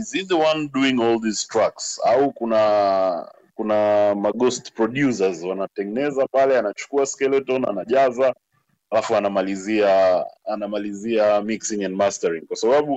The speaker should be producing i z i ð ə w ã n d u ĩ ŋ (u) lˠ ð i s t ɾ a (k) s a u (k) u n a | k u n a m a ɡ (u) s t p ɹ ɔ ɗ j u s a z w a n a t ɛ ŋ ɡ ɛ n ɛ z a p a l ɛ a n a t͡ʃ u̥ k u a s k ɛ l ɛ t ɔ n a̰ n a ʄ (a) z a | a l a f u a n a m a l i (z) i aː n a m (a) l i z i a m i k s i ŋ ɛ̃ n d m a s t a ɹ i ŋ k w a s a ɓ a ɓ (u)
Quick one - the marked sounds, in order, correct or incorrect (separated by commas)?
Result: incorrect, correct, correct, incorrect, correct, correct, correct, correct